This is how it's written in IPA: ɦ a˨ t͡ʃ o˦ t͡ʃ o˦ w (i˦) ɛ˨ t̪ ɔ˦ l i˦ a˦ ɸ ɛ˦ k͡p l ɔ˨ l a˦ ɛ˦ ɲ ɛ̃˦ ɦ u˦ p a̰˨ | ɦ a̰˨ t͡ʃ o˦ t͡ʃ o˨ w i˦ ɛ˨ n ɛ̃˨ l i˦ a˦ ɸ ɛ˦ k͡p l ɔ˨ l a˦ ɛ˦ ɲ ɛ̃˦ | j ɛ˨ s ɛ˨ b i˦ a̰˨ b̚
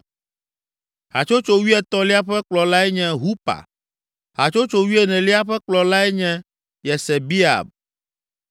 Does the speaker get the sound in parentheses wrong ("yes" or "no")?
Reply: no